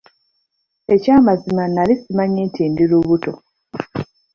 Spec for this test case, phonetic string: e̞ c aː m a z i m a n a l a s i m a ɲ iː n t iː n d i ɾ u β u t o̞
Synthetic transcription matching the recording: e̞ c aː m a z i m a n a l i s i m a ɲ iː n t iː n d i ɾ u β u t o̞

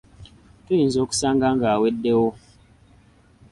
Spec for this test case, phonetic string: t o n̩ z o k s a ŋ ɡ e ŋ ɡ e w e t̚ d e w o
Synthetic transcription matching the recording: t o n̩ z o k s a ŋ ɡ a ŋ ɡ a w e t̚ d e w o

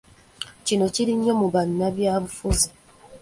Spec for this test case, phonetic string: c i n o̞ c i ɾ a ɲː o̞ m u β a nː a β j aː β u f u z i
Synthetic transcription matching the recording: c i n o̞ c i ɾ i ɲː o̞ m u β a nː a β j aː β u f u z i

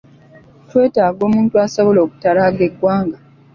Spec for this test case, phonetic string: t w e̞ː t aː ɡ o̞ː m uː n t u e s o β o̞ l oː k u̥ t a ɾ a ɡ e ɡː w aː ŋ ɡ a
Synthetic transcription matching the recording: t w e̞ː t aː ɡ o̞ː m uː n t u a s o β o̞ l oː k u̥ t a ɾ a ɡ e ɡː w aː ŋ ɡ a

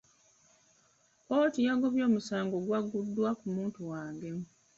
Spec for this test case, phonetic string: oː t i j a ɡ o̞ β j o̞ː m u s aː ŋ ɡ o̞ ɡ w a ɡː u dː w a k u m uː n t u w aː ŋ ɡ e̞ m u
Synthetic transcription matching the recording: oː t i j a ɡ o̞ β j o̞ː m u s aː ŋ ɡ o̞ ɡ w a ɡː u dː w a k u m uː n t u w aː ŋ ɡ e̞ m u

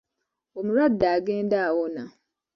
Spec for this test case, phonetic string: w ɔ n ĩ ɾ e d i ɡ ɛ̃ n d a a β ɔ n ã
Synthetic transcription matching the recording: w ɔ m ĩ ɾ a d a ɡ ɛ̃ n d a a w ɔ n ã

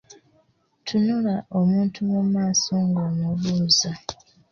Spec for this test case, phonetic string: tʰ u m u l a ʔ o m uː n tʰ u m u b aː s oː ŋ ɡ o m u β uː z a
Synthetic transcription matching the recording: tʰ u n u l a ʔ o m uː n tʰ u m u m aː s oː ŋ ɡ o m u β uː z a

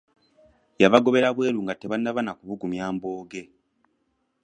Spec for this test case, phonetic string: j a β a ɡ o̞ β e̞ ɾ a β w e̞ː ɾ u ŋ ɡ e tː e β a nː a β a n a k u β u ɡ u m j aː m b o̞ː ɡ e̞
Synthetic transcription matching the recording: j a β a ɡ o̞ β e̞ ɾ a β w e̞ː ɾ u ŋ ɡ a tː e β a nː a β a n a k u β u ɡ u m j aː m b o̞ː ɡ e̞

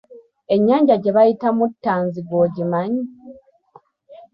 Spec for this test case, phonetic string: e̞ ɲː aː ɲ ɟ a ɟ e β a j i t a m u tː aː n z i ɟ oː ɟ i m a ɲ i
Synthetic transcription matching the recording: e̞ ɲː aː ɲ ɟ a ɟ e β a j i t a m u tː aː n z i ɡ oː ɟ i m a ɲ i

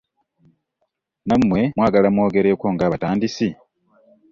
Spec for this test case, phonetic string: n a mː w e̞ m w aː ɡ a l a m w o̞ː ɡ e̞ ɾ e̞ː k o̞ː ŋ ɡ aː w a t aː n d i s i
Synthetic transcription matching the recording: n a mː w e̞ m w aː ɡ a l a m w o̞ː ɡ e̞ ɾ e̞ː k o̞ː ŋ ɡ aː β a t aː n d i s i

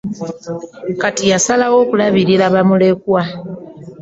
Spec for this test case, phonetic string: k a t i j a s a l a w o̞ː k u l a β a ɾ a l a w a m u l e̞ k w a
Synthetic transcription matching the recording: k a t i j a s a l a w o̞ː k u l a β i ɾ i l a β a m u l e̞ k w a

